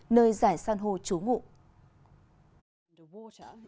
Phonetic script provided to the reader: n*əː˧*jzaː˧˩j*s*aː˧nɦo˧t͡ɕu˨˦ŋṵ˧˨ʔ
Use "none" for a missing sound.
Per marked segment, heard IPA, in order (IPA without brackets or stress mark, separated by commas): əː˧, s